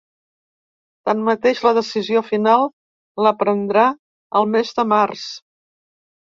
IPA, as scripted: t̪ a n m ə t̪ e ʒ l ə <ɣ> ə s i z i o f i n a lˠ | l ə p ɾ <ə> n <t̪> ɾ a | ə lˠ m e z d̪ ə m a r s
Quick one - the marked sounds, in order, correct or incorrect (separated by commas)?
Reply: incorrect, correct, incorrect